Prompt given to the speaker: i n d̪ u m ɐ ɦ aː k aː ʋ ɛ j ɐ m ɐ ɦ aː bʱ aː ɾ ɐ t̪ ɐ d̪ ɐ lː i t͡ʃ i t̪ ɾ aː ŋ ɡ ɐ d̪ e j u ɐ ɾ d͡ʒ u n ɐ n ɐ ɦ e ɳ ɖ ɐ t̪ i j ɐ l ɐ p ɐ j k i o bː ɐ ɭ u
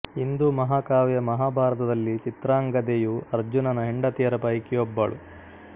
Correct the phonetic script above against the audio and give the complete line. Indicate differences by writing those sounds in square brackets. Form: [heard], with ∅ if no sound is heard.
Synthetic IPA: i n d̪ u m ɐ ɦ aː k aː ʋ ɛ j ɐ m ɐ ɦ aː bʱ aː ɾ ɐ t̪ ɐ d̪ ɐ lː i t͡ʃ i t̪ ɾ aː ŋ ɡ ɐ d̪ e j u ɐ ɾ d͡ʒ u n ɐ n ɐ ɦ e ɳ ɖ ɐ t̪ i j ɐ [ɾ] ɐ p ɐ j k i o bː ɐ ɭ u